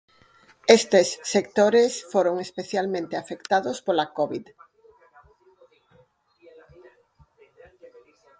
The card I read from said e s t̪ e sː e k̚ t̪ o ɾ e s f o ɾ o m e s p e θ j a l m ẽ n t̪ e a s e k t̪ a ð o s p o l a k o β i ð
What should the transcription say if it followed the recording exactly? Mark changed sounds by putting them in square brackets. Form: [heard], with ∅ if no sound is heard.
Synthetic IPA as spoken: e s t̪ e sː e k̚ t̪ o ɾ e s f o ɾ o [ŋ] e s p e θ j a l m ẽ n t̪ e a [f] e k t̪ a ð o s p o l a k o β i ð